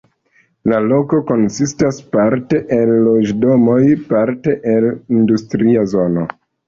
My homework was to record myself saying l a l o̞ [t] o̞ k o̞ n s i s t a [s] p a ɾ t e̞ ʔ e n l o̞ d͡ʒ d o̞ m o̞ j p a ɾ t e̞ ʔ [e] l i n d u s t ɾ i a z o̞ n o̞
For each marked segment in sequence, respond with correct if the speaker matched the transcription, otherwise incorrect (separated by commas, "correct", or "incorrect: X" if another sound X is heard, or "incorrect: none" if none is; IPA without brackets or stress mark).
incorrect: k, correct, correct